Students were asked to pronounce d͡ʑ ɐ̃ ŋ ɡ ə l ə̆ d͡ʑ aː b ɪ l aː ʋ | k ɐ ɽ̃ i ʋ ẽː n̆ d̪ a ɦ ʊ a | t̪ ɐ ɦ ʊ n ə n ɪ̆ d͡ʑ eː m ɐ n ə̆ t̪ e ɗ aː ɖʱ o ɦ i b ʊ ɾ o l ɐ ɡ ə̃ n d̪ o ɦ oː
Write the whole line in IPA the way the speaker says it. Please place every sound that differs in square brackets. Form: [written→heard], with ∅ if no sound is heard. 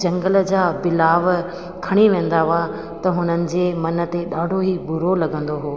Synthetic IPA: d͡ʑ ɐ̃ ŋ ɡ ə l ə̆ d͡ʑ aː b ɪ l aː ʋ | [k→kʰ] ɐ ɽ̃ i ʋ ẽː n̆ d̪ a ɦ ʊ a | t̪ ɐ ɦ ʊ n ə n ɪ̆ d͡ʑ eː m ɐ n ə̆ t̪ e ɗ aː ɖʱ o ɦ i b ʊ ɾ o l ɐ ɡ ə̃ n d̪ o ɦ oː